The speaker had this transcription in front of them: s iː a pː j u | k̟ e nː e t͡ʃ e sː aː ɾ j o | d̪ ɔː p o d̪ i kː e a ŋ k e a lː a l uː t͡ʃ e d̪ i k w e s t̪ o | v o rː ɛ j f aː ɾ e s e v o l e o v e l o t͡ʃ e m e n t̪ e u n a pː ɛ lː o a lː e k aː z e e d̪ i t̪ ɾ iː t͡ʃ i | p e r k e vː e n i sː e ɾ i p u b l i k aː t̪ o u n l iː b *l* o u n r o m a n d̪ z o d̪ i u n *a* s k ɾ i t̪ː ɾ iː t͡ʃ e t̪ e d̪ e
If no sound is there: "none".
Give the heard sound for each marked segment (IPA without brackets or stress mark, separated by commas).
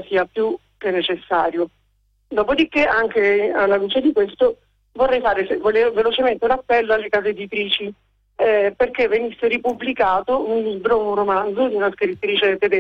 ɾ, a